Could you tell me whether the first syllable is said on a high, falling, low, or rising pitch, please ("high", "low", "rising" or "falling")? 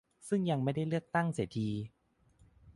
falling